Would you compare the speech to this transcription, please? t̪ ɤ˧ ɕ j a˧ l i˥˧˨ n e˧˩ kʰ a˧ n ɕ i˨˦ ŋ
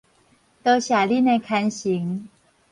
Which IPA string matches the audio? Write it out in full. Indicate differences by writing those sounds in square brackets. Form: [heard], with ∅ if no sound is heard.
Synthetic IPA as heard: t̪ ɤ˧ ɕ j [a˨˩] l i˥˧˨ n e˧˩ kʰ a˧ n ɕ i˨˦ ŋ

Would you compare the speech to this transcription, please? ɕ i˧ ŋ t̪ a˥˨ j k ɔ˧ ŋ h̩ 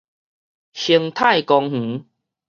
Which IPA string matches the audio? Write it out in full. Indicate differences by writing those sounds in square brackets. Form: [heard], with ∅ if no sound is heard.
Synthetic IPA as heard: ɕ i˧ ŋ [t̪ʰ] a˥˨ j k ɔ˧ ŋ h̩

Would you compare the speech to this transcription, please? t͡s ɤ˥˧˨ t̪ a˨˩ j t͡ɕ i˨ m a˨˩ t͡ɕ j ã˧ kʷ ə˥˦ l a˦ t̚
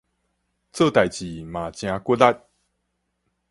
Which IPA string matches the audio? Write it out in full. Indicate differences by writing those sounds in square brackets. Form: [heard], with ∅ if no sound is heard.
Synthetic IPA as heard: t͡s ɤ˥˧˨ t̪ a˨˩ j t͡ɕ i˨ m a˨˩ t͡ɕ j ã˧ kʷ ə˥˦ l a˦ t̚

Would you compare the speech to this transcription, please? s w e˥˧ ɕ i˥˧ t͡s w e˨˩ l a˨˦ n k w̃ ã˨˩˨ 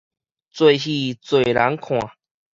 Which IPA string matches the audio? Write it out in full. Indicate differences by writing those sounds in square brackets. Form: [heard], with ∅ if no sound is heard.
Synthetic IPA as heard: [t͡s] w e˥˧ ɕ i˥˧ t͡s w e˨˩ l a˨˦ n [kʰ] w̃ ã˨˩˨

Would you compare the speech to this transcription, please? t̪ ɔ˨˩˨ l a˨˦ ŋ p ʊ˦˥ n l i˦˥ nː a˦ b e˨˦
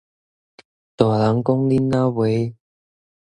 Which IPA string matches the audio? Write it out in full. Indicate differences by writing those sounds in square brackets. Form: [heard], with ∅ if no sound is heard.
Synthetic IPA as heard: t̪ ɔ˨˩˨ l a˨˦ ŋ [k] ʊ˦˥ [ŋ] l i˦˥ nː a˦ [w] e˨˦

